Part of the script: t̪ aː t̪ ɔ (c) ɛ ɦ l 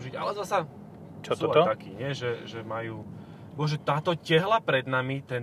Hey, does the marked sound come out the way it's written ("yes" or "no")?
yes